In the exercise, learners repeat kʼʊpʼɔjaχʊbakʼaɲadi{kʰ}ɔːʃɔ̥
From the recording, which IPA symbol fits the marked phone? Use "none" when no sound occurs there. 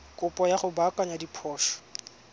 pʰ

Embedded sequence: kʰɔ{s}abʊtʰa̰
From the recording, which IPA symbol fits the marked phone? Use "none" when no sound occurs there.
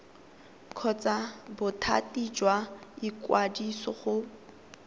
t͡s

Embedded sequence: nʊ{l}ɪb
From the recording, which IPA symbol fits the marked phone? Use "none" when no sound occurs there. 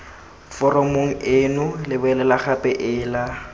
l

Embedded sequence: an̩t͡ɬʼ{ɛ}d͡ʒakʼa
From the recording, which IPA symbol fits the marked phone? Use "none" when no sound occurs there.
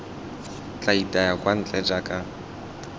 ɛ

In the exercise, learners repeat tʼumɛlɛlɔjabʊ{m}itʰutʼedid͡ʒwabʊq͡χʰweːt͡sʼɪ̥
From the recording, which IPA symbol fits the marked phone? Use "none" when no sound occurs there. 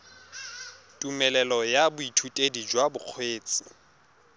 none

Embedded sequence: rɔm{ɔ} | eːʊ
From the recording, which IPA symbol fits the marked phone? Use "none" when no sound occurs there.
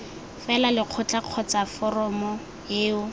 ɔ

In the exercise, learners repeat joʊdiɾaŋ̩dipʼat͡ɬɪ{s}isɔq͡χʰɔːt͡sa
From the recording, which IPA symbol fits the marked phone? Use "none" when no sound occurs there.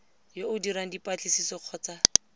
s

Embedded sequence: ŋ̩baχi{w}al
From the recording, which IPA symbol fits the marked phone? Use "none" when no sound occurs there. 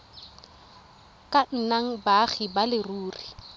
b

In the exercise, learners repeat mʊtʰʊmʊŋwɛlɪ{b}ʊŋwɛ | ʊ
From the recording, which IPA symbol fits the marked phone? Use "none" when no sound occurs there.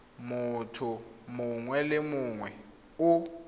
m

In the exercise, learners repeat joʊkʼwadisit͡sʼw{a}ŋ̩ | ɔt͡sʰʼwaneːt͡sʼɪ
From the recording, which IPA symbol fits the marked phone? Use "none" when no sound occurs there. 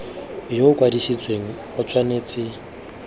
e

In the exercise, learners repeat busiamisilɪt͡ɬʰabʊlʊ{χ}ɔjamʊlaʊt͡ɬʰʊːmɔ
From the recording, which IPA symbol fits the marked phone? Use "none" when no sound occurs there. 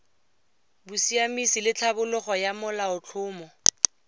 χ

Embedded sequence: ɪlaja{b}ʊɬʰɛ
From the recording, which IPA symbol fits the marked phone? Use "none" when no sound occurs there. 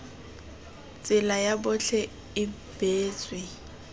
b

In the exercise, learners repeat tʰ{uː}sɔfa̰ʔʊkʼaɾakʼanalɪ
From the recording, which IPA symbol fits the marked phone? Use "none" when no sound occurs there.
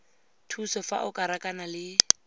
u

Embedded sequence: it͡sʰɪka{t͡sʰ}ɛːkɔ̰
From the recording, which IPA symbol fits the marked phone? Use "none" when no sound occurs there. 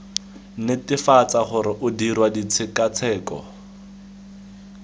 t͡sʰ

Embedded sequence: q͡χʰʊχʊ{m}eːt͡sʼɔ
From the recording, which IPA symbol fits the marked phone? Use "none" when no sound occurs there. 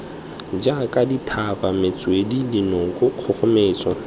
m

